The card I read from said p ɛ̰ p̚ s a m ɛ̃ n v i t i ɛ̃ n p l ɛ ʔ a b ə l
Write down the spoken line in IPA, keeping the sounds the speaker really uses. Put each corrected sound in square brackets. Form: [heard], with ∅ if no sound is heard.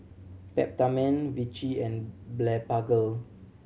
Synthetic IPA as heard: p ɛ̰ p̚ [t] a m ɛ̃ n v i [t͡ʃ] i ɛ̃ n [b] l ɛ [p] a [ɡ] ə l